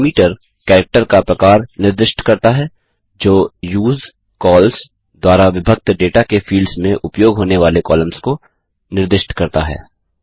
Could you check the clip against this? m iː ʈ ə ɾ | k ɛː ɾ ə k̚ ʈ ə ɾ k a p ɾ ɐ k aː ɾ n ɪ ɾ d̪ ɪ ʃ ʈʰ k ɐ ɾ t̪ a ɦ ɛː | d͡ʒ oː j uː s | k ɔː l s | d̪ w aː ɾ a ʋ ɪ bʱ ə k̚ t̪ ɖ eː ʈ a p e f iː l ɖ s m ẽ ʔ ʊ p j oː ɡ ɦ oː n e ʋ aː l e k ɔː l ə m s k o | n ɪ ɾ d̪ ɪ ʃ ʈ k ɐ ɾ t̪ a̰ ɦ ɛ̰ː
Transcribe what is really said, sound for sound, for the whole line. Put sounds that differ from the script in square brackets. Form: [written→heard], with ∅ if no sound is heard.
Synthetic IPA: m iː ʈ ə ɾ | k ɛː ɾ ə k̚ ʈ ə ɾ k a p ɾ ɐ k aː ɾ n ɪ ɾ d̪ ɪ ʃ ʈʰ k ɐ ɾ t̪ a ɦ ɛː | d͡ʒ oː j uː [s→z] | k ɔː l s | d̪ w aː ɾ a ʋ ɪ bʱ ə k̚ t̪ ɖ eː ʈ a [p→k] e f iː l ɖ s m ẽ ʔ ʊ p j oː ɡ ɦ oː n e ʋ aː l e k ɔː l ə m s k o | n ɪ ɾ d̪ ɪ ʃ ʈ k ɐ ɾ t̪ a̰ ɦ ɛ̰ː